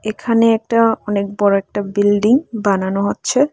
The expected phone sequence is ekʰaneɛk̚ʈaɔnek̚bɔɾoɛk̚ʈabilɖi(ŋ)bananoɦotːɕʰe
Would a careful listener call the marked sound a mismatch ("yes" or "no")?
no